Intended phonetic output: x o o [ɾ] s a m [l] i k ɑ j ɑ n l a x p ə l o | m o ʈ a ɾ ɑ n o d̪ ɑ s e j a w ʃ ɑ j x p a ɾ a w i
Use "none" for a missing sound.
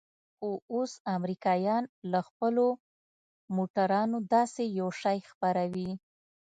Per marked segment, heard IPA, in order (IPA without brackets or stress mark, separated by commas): none, ɾ